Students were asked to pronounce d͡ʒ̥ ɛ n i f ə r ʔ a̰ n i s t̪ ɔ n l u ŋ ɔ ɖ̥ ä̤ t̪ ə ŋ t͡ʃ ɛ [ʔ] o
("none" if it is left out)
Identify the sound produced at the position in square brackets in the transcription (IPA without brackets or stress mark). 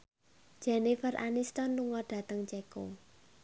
k